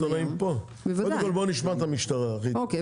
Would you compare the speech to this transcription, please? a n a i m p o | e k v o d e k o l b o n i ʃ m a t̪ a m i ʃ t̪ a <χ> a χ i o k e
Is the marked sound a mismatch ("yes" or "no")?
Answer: yes